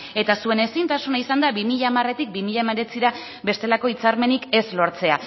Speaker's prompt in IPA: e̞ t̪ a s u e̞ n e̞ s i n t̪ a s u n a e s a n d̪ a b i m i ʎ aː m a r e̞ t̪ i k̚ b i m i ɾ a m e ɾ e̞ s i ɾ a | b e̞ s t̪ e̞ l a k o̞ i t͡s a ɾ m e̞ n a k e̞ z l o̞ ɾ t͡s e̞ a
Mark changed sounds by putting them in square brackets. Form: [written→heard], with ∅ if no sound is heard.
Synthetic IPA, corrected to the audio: e̞ t̪ a s u e̞ n e̞ s i n t̪ a s u n a [e→i] s a n d̪ a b i m i ʎ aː m a r e̞ t̪ i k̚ b i m i [ɾ→ʎ] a m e ɾ e̞ [s→t͡s] i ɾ a | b e̞ s t̪ e̞ l a k o̞ i t͡s a ɾ m e̞ n [a→i] k e̞ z l o̞ ɾ t͡s e̞ a

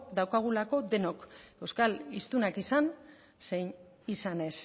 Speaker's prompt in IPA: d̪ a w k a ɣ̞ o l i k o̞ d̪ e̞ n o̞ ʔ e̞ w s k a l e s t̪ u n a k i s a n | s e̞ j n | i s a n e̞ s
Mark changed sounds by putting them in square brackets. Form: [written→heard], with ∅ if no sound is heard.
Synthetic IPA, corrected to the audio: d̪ a w k a ɣ̞ [o→u] l [i→a] k o̞ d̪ e̞ n o̞ [ʔ→k] e̞ w s k a l [e→i] s t̪ u n a k i s a n | s e̞ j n | i s a n e̞ s

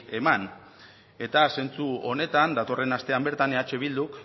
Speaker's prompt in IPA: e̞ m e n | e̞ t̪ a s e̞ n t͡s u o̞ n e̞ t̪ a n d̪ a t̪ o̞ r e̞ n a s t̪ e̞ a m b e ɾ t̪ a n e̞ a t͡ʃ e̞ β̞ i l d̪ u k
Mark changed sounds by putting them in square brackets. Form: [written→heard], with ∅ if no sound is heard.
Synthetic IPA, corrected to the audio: e̞ m [e→a] n | e̞ t̪ a s e̞ n t͡s u o̞ n e̞ t̪ a n d̪ a t̪ o̞ r e̞ n a s t̪ e̞ a m b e ɾ t̪ a n e̞ a t͡ʃ e̞ β̞ i l d̪ u k

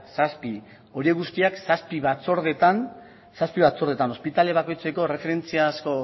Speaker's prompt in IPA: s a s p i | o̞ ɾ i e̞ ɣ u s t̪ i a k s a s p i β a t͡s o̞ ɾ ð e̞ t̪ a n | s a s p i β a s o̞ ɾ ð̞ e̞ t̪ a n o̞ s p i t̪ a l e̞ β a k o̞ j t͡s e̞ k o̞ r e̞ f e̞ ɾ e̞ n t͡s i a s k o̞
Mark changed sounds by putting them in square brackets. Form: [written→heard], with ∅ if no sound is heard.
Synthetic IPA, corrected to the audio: s a s p i | o̞ ɾ i e̞ ɣ u s t̪ i a k s a s p i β a t͡s o̞ ɾ ð e̞ t̪ a n | s a s p i β a [s→t͡s] o̞ ɾ ð̞ e̞ t̪ a n o̞ s p i t̪ a l e̞ β a k o̞ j t͡s e̞ k o̞ r e̞ f e̞ ɾ e̞ n t͡s i a s k o̞

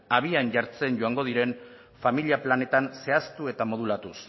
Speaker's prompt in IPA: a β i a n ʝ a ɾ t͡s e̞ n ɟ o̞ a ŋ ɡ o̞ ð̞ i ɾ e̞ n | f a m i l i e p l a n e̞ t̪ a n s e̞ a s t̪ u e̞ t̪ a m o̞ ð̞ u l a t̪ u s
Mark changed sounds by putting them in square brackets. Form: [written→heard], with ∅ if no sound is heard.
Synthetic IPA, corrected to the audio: a β i a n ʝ a ɾ t͡s e̞ n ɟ o̞ a ŋ ɡ o̞ ð̞ i ɾ e̞ n | f a m i l i [e→a] p l a n e̞ t̪ a n s e̞ a s t̪ u e̞ t̪ a m o̞ ð̞ u l a t̪ u s

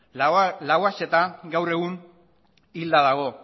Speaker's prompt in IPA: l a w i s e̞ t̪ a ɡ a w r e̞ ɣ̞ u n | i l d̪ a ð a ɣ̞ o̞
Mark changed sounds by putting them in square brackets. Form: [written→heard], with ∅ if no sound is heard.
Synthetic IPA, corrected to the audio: l a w [i→a] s e̞ t̪ a ɡ a w r e̞ ɣ̞ u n | i l d̪ a ð a ɣ̞ o̞

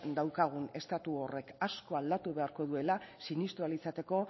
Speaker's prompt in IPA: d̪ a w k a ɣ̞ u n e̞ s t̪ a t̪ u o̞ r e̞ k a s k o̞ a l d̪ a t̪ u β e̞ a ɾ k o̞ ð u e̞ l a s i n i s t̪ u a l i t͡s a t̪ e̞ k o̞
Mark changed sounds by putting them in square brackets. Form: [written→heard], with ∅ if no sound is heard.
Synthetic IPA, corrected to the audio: d̪ a w k a ɣ̞ u n e̞ s t̪ a t̪ u o̞ r e̞ k a s k o̞ a l d̪ a t̪ u β e̞ a ɾ k o̞ ð u e̞ l a s i n i s t̪ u a l i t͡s a t̪ e̞ k o̞

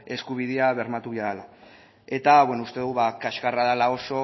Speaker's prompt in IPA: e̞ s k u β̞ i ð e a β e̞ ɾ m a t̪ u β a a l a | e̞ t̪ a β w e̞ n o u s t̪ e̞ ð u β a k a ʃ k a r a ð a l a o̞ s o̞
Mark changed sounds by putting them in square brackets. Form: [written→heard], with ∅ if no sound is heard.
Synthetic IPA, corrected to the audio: e̞ s k u β̞ i ð e a β e̞ ɾ m a t̪ u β a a l a | e̞ t̪ a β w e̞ n o u s t̪ e̞ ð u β a k a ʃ k a r a ð a l a o̞ s o̞

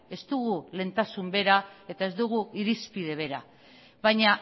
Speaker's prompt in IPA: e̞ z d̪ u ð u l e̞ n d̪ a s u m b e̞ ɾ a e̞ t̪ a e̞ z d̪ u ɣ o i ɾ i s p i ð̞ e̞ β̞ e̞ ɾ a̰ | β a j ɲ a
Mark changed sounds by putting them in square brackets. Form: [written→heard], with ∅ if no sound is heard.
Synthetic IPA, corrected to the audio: e̞ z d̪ u [ð→ɣ] u l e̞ n [d̪→t̪] a s u m b e̞ ɾ a e̞ t̪ a e̞ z d̪ u ɣ [o→u] i ɾ i s p i ð̞ e̞ β̞ e̞ ɾ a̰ | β a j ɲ a

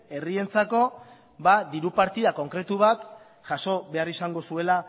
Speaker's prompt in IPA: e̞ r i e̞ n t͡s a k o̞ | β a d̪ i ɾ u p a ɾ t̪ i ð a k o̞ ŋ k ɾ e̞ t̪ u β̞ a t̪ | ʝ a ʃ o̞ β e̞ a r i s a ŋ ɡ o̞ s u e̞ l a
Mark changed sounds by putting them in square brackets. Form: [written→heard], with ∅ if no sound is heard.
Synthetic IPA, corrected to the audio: e̞ r i e̞ n t͡s a k o̞ | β a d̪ i ɾ u p a ɾ t̪ i ð a k o̞ ŋ k ɾ e̞ t̪ u β̞ a t̪ | ʝ a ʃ o̞ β e̞ a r i s a ŋ ɡ o̞ s u e̞ l a

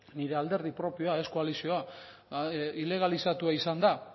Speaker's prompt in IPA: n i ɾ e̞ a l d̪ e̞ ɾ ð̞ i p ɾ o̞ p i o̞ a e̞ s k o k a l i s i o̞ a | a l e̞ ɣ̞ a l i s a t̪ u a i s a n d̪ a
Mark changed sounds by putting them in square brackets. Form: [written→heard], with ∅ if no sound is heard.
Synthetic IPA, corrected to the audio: n i ɾ e̞ a l d̪ e̞ ɾ ð̞ i p ɾ o̞ p i o̞ a e̞ s k o [k→∅] a l i s i o̞ a | [a→i] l e̞ ɣ̞ a l i s a t̪ u a i s a n d̪ a

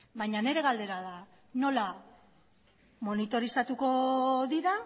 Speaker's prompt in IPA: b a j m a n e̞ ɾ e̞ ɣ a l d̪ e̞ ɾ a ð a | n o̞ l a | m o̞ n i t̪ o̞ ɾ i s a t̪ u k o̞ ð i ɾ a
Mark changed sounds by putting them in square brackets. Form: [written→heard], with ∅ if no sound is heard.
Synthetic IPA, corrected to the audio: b a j [m→ɲ] a n e̞ ɾ e̞ ɣ a l d̪ e̞ ɾ a ð a | n o̞ l a | m o̞ n i t̪ o̞ ɾ i s a t̪ u k o̞ ð i ɾ a

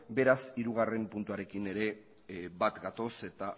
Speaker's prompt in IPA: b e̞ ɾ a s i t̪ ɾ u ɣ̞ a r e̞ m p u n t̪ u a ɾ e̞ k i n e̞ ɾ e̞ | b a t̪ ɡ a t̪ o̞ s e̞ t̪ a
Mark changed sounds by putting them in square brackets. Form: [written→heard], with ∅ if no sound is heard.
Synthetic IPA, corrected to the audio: b e̞ ɾ a s i [t̪→∅] ɾ u ɣ̞ a r e̞ m p u n t̪ u a ɾ e̞ k i n e̞ ɾ e̞ | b a t̪ ɡ a t̪ o̞ s e̞ t̪ a

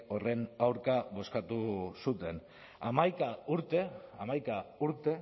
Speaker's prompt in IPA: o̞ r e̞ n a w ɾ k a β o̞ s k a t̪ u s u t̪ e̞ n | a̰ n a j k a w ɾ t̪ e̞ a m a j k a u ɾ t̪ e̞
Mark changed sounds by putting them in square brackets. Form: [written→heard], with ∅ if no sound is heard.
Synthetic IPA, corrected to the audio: o̞ r e̞ n a w ɾ k a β o̞ s k a t̪ u s u t̪ e̞ n | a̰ [n→m] a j k a [w→u] ɾ t̪ e̞ a m a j k a u ɾ t̪ e̞

